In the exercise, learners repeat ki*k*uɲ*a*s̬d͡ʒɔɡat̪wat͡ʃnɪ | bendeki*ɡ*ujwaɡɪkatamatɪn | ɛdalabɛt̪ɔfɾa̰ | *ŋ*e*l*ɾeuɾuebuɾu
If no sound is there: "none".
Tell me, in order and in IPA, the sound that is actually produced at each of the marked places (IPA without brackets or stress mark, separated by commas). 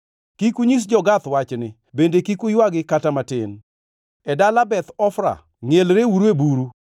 k, i, k, ŋ, l